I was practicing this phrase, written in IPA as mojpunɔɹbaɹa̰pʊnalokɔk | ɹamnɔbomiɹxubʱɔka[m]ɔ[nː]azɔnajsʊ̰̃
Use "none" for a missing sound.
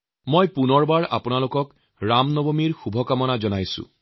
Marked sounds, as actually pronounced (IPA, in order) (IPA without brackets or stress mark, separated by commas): m, n